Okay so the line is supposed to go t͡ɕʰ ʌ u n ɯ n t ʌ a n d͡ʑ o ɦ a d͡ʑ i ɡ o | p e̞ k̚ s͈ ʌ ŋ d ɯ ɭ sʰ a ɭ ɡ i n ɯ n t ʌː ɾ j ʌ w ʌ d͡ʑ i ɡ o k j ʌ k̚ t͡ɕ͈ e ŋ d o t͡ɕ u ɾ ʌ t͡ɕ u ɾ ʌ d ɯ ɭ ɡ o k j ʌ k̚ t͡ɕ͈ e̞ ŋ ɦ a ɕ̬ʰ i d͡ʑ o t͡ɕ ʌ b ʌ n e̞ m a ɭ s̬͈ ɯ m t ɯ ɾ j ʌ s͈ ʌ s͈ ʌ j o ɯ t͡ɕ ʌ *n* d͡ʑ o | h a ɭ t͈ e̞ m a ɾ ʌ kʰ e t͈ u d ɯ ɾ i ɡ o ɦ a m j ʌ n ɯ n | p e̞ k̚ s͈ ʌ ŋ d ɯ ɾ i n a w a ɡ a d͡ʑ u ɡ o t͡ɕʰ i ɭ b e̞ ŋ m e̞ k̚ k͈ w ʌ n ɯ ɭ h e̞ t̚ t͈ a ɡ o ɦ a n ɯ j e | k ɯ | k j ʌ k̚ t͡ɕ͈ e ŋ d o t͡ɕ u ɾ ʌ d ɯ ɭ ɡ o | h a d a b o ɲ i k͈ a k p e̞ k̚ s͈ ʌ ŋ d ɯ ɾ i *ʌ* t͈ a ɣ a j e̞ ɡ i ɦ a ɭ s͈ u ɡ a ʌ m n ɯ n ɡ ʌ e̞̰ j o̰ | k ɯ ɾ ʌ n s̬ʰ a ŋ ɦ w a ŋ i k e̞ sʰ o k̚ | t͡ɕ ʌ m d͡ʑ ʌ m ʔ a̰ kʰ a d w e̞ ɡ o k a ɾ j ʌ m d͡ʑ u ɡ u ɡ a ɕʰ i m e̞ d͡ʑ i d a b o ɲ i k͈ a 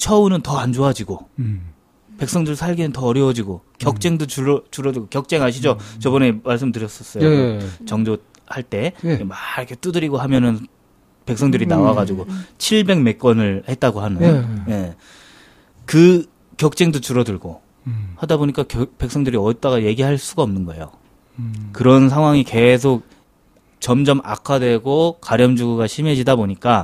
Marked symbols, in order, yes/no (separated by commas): no, yes